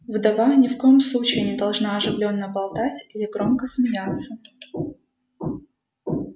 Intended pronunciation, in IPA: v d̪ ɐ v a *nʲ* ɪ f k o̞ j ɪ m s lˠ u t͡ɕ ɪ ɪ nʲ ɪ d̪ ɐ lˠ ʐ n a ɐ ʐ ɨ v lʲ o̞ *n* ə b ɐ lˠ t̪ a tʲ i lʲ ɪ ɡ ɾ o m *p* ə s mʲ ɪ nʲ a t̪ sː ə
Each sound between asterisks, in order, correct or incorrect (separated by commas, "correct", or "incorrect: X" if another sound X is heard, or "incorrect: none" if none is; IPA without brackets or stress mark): correct, incorrect: nː, incorrect: k